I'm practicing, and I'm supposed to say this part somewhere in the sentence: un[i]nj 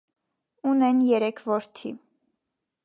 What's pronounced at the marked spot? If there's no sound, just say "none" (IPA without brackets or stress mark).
ɛ